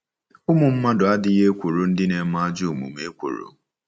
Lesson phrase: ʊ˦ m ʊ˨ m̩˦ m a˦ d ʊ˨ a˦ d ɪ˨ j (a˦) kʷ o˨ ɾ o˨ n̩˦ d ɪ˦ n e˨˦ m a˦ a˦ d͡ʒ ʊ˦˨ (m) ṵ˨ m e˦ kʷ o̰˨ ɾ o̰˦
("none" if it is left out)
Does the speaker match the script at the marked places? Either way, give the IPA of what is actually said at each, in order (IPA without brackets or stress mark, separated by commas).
e˦, m